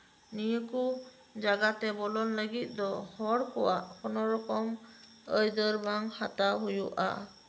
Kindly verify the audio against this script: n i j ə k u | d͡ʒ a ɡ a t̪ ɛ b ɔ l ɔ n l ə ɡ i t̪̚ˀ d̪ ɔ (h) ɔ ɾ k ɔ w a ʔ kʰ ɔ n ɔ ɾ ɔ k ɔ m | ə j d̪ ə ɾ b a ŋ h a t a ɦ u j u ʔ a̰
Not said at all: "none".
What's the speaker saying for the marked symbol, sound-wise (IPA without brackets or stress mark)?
h